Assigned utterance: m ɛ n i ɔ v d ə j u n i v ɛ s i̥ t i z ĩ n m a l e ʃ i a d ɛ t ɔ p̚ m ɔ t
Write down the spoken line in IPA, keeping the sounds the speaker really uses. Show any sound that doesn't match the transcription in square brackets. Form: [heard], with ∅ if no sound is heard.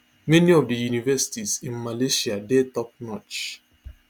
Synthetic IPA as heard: m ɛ n i ɔ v d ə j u n i v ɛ s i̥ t i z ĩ n m a l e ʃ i a d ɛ t ɔ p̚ [n] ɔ [t͡ʃ]